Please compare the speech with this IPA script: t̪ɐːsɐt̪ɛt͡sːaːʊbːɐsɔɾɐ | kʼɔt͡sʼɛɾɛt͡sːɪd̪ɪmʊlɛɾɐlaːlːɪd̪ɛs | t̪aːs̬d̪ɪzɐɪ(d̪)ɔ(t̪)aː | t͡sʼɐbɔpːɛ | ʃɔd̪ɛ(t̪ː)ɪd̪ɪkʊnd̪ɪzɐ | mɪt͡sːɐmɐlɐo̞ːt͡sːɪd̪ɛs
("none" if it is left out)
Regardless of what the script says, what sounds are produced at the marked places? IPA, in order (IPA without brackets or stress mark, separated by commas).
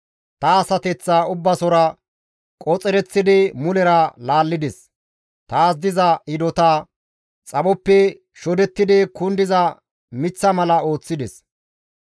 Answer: d̪, t̪, t̪ː